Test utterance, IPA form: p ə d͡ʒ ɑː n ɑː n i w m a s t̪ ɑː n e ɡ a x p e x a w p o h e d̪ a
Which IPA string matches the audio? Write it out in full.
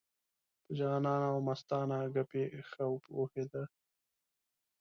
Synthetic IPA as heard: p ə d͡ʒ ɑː n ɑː n a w m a s t̪ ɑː n a ɡ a p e x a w p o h e d̪ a